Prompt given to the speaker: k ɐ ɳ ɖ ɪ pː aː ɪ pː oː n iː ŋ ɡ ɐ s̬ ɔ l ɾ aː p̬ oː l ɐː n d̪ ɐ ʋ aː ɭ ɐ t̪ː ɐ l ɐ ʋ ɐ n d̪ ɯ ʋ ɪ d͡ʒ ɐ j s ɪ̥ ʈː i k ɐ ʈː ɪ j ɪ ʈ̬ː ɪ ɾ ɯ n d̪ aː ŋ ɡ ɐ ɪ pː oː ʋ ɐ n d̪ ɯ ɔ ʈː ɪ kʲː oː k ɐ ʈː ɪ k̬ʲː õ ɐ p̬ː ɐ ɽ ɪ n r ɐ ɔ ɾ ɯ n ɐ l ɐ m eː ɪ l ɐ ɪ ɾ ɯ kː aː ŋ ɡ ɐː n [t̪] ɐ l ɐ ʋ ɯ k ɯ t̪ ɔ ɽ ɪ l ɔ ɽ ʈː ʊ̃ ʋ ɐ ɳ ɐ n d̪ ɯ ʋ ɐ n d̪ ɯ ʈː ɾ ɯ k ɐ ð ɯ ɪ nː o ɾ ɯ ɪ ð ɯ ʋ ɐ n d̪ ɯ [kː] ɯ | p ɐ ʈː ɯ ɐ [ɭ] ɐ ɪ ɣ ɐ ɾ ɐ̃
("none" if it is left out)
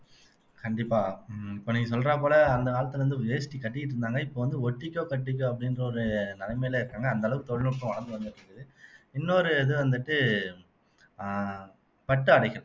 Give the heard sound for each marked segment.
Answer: d̪, ʈː, ɽ

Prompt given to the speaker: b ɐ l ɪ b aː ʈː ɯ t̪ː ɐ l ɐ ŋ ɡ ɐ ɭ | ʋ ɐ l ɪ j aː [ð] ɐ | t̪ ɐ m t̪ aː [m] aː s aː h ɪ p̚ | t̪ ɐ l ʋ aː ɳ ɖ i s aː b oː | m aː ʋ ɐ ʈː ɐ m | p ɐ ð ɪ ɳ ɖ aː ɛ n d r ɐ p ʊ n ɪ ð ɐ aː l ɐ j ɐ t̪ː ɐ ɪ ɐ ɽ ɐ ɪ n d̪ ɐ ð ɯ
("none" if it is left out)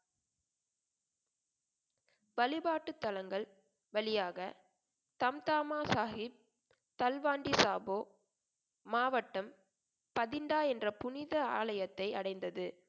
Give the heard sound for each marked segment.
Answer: ɣ, m

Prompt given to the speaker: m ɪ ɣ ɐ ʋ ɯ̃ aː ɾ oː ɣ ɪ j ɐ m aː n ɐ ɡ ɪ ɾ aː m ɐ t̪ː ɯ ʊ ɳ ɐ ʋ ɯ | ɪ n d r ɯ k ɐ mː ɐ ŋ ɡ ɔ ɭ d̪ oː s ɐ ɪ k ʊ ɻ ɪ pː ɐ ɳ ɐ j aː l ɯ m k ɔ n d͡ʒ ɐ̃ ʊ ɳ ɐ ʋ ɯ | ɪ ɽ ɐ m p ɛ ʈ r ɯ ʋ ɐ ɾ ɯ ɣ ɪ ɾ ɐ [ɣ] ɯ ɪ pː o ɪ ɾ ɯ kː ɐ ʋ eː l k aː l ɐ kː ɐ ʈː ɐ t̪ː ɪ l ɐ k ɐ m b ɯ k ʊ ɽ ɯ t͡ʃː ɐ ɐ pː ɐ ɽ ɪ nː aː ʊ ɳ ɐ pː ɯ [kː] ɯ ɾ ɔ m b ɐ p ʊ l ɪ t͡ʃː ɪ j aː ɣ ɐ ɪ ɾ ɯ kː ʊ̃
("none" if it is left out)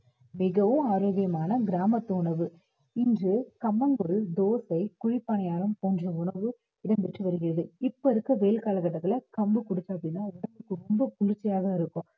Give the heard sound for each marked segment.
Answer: ð, kː

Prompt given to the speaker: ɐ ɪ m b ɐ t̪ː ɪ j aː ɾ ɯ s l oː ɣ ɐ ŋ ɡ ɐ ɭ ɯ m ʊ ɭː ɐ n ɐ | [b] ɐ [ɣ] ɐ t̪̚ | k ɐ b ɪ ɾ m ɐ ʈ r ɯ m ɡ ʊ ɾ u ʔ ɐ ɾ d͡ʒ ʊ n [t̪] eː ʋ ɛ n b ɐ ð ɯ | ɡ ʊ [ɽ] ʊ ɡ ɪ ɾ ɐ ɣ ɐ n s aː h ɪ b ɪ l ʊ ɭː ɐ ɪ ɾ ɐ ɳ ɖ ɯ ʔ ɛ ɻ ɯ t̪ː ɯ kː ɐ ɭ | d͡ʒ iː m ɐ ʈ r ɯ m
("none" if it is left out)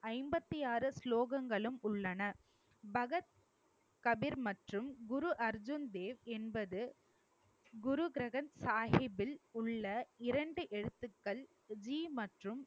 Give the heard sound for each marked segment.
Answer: b, ɣ, d̪, ɾ

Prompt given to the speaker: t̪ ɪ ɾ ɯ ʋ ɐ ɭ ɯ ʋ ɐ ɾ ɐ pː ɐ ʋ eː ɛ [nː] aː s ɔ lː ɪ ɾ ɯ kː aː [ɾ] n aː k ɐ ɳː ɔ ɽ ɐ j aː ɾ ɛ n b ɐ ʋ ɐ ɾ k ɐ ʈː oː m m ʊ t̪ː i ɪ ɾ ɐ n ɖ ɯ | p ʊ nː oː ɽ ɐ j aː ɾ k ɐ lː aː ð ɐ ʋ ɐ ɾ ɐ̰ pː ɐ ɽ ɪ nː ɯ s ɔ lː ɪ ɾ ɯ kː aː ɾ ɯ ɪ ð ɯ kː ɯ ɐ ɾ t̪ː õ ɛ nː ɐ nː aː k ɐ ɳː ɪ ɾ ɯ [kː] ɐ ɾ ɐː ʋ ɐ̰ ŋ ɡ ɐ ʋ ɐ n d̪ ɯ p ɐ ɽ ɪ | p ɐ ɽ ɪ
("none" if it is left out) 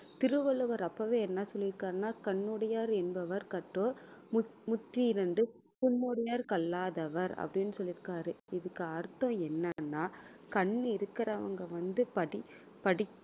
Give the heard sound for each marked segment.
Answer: nː, ɾ, kː

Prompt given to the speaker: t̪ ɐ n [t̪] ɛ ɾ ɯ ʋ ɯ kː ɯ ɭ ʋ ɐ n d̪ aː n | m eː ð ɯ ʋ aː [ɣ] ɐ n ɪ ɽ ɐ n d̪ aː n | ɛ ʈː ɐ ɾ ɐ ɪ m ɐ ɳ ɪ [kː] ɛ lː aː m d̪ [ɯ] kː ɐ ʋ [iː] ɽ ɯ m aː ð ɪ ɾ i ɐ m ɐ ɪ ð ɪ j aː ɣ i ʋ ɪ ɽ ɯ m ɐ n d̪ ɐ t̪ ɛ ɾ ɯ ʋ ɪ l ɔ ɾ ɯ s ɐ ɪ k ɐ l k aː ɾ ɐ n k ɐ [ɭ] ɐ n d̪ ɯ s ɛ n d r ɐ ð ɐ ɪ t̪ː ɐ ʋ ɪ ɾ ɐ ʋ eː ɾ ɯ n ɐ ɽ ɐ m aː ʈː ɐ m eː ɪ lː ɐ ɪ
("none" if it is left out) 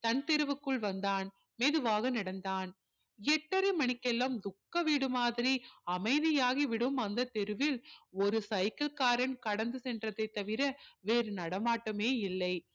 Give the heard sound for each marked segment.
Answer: t̪, ɣ, kː, ʊ, iː, ɽ

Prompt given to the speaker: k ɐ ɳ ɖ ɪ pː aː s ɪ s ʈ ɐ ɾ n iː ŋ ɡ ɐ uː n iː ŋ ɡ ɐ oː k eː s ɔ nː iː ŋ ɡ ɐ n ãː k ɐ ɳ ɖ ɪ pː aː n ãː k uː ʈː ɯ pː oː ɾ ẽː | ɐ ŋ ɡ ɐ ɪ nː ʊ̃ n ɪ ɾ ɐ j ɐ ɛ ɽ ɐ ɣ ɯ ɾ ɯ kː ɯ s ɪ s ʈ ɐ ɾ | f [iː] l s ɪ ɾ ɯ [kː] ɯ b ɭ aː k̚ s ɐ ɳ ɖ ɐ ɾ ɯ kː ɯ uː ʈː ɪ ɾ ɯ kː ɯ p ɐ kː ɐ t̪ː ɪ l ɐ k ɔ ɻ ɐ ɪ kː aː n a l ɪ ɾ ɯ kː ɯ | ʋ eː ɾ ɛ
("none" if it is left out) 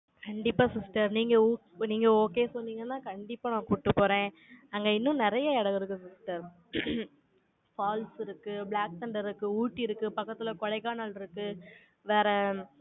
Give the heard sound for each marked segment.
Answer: aː, kː

